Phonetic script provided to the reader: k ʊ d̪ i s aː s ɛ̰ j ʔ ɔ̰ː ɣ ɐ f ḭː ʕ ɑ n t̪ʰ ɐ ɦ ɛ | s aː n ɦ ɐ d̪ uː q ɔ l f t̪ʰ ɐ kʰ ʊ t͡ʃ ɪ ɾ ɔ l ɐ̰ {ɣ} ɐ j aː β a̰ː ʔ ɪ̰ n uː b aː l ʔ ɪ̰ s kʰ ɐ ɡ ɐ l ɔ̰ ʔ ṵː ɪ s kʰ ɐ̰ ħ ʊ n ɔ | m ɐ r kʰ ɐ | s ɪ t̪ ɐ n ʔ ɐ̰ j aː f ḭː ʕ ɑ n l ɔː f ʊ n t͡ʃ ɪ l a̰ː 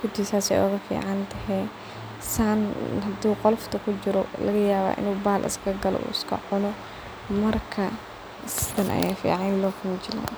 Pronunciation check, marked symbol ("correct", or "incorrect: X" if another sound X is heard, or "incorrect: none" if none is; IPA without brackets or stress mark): correct